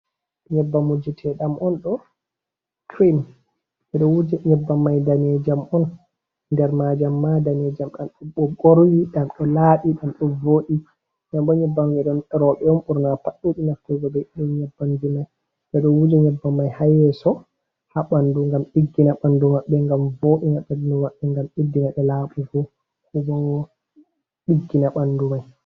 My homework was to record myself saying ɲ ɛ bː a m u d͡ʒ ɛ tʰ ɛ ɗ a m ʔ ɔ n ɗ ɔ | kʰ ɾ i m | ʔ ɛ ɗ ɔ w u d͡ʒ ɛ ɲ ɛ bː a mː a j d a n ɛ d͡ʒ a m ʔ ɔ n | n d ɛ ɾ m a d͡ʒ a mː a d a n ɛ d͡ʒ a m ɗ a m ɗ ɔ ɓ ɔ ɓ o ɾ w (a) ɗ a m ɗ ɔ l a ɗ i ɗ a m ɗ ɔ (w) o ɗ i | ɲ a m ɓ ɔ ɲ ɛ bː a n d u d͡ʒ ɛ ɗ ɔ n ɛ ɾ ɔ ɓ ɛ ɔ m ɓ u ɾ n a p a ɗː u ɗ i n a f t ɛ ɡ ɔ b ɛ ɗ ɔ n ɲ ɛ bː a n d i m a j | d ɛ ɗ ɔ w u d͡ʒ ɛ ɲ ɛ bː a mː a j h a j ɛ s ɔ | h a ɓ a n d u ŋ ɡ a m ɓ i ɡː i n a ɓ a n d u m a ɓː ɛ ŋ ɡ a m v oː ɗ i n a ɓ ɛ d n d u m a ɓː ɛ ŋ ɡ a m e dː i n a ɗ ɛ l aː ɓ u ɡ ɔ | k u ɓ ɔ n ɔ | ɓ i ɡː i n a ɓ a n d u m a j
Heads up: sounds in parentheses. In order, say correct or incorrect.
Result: incorrect: i, incorrect: v

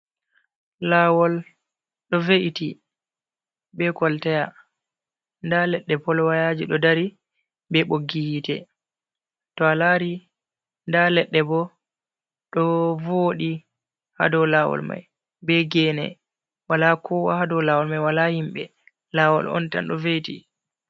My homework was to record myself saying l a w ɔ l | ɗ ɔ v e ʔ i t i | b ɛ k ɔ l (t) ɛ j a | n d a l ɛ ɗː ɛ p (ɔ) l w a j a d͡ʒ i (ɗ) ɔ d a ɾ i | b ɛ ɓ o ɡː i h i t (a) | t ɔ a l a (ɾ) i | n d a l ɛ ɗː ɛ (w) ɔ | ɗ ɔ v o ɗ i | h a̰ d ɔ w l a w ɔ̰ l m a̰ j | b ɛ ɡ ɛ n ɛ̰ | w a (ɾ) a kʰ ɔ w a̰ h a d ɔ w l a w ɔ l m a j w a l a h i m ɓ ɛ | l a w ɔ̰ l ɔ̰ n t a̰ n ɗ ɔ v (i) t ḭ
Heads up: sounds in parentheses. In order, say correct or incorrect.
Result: correct, correct, correct, incorrect: ɛ, correct, incorrect: b, incorrect: l, incorrect: e

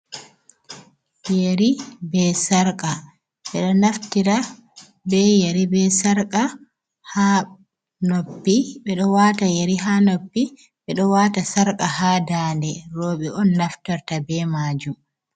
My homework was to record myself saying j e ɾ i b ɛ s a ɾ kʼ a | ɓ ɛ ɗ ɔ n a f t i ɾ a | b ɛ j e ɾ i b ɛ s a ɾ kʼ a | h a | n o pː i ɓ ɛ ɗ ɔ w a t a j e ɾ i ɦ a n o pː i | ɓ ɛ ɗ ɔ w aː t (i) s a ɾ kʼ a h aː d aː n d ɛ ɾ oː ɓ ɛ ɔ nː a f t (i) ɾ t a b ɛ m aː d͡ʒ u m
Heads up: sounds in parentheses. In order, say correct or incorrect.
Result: incorrect: a, incorrect: a

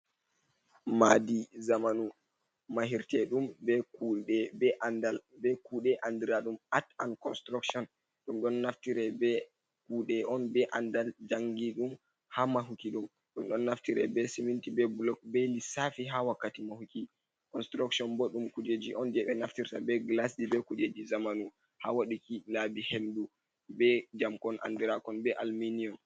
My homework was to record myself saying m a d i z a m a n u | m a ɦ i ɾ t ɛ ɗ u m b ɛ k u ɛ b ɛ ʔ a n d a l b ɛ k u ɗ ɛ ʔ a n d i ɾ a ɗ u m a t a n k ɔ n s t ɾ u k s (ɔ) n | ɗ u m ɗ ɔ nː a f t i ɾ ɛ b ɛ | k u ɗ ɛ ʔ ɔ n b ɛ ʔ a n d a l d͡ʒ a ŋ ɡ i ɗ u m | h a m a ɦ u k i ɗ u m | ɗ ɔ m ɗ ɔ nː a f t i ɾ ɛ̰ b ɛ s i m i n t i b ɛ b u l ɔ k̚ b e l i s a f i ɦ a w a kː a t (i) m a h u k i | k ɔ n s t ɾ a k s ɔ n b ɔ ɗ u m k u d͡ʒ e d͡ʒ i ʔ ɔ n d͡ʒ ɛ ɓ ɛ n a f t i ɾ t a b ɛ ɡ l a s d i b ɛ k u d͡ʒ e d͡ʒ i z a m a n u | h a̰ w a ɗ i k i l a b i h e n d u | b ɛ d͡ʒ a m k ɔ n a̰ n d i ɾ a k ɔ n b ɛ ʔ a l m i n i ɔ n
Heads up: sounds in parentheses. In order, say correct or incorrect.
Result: correct, correct

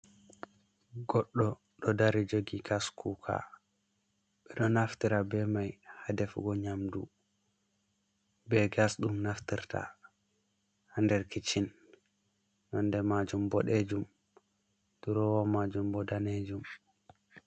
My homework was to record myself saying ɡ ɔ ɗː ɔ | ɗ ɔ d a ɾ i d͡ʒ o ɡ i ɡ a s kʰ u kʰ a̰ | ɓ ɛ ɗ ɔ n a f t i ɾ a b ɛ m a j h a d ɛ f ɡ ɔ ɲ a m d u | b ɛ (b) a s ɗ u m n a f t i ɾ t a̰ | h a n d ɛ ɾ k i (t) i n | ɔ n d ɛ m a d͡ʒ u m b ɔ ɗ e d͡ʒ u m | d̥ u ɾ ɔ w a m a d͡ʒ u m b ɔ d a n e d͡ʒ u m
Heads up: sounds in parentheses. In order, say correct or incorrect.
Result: incorrect: ɡ, incorrect: t͡ʃ

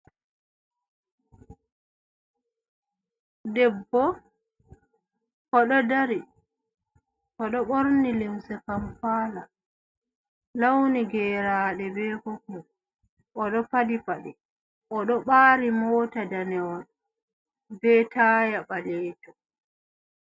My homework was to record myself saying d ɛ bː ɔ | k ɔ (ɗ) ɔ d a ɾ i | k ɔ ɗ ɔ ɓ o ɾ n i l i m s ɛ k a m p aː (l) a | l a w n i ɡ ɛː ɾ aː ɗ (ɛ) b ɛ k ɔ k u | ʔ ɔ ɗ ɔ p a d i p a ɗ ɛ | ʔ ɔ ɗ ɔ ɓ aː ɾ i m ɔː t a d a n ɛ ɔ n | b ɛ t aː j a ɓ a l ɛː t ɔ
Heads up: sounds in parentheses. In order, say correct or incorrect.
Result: correct, correct, correct

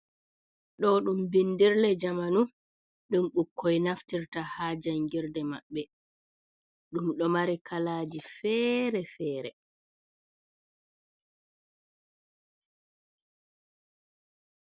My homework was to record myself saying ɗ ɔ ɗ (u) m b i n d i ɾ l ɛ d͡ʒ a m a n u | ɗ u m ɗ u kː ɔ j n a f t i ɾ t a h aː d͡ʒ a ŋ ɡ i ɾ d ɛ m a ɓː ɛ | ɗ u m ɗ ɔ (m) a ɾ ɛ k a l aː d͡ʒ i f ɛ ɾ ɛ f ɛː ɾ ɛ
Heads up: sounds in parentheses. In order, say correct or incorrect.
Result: correct, correct

